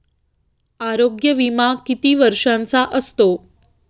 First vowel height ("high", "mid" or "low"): low